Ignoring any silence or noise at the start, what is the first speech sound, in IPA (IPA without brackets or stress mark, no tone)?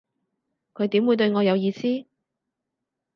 kʰ